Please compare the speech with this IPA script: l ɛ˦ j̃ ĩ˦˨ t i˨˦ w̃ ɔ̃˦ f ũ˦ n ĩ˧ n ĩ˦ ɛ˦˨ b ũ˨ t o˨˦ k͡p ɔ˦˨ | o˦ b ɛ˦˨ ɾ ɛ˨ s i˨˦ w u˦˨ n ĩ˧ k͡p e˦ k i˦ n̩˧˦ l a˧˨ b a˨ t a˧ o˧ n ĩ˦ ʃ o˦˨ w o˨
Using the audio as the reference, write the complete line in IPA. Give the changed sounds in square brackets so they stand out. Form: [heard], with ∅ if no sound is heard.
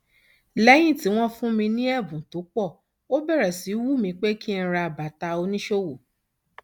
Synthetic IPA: l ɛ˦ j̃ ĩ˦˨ t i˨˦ w̃ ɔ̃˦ f ũ˦ [m] ĩ˧ n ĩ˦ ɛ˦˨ b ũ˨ t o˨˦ k͡p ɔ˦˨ | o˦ b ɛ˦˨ ɾ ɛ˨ s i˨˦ w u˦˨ [m] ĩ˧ k͡p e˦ k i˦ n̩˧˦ [ɾ] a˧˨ b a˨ t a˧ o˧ n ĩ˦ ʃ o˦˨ w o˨